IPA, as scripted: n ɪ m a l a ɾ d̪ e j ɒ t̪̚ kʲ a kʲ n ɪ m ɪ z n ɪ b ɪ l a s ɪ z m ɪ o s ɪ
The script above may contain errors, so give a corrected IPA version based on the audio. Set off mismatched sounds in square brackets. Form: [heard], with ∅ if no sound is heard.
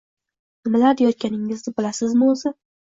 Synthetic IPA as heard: n ɪ m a l a ɾ d̪ e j ɒ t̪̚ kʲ a [∅] n ɪ [ŋ] ɪ z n ɪ b ɪ l a s ɪ z m ɪ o [z] ɪ